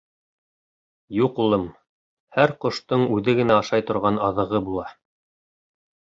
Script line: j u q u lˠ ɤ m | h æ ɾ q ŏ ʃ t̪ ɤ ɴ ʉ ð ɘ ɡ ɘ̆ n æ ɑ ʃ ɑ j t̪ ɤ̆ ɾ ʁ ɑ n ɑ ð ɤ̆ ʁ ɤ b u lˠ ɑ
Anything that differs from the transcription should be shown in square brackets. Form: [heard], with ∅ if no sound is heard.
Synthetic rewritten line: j u q u lˠ ɤ m | h æ ɾ q ŏ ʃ t̪ ɤ ɴ ʉ ð ɘ ɡ ɘ̆ n æ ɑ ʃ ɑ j t̪ [ŏ] ɾ ʁ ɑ n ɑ ð ɤ̆ ʁ ɤ b u lˠ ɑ